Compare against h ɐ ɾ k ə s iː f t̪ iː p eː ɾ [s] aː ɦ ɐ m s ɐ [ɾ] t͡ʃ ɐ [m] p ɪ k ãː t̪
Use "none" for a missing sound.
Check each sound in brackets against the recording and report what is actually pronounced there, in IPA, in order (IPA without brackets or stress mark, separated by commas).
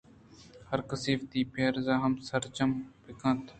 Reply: z, ɾ, m